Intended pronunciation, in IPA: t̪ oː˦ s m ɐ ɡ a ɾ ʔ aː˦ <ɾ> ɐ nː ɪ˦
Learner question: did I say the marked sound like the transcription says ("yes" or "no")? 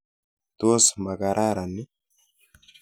yes